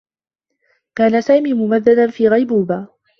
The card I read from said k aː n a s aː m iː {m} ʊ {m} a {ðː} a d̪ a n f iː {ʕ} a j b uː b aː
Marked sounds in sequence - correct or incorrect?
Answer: correct, correct, correct, incorrect: ɣ

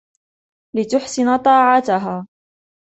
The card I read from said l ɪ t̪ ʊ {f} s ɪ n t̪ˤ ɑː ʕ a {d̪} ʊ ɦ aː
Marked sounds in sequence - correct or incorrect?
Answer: incorrect: ħ, incorrect: t̪

